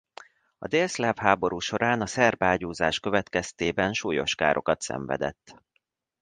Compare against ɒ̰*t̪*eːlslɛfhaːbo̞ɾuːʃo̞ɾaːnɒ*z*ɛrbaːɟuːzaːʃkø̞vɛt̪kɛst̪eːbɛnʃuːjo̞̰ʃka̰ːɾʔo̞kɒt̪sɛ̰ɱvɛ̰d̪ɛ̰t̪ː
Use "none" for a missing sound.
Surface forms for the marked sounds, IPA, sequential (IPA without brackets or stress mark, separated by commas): d̪, s